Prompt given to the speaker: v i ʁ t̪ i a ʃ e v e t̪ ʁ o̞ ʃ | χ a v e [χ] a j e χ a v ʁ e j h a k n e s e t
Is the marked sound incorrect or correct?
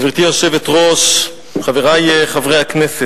incorrect